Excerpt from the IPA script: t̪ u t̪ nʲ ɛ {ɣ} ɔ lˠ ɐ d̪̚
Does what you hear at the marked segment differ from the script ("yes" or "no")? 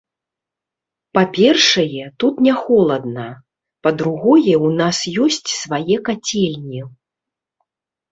yes